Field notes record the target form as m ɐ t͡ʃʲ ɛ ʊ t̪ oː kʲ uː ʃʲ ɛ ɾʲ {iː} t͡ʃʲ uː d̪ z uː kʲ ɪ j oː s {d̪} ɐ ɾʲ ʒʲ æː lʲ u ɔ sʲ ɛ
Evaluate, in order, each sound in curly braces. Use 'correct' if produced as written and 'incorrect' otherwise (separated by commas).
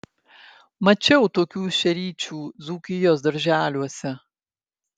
correct, correct